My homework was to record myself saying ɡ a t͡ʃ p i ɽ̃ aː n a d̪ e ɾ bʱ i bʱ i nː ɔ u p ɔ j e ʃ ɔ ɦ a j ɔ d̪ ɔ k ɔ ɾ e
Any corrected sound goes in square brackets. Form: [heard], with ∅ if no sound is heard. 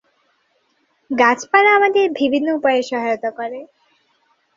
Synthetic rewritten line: ɡ a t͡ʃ p [a] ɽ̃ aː [m] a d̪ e ɾ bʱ i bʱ i nː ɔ u p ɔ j e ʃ ɔ ɦ a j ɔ [t̪] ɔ k ɔ ɾ e